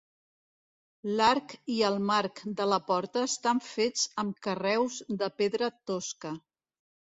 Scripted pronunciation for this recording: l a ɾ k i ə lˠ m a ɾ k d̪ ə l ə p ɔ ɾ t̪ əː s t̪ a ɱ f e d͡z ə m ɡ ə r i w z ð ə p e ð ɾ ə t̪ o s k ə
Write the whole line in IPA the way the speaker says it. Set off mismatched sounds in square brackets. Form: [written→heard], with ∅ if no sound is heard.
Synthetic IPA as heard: l a ɾ k i ə lˠ m a ɾ k d̪ ə l ə p ɔ ɾ t̪ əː s t̪ a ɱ f e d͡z ə m [ɡ→k] ə r [i→ɛ] w z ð ə p e ð ɾ ə t̪ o s k ə